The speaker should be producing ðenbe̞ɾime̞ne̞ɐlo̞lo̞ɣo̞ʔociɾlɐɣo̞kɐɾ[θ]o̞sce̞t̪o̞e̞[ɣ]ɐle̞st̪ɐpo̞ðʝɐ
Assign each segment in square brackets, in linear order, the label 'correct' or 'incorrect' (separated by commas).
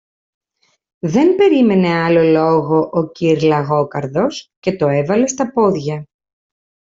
incorrect, incorrect